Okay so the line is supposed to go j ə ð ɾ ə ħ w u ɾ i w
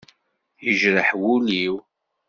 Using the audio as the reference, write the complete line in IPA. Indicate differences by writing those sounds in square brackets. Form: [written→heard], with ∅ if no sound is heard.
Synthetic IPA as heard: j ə [ð→ʒ] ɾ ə ħ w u [ɾ→l] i w